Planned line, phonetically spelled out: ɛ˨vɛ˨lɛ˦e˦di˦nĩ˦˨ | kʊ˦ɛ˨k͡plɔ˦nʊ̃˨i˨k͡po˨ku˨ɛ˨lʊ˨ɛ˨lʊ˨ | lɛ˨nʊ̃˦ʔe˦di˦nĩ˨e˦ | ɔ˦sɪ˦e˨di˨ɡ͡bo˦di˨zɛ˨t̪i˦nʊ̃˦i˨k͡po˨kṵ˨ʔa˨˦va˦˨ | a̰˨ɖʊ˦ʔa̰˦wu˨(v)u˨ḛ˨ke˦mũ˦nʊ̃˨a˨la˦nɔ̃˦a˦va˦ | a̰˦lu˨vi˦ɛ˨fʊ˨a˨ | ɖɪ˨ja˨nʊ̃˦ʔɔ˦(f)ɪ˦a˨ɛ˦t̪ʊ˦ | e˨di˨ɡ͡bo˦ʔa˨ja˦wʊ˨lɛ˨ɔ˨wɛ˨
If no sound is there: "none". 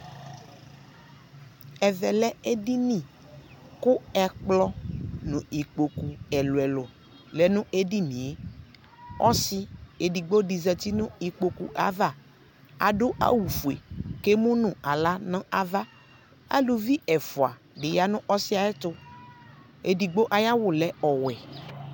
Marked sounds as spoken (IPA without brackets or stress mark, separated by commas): f, s